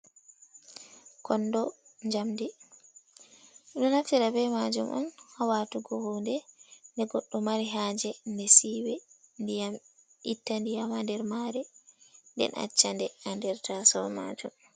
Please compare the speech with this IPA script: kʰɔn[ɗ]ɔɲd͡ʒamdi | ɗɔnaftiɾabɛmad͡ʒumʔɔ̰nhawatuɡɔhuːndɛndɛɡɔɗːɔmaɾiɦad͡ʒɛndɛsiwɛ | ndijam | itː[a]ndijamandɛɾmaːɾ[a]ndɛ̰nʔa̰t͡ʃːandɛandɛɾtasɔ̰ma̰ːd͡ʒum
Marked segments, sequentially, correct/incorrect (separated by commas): incorrect, correct, incorrect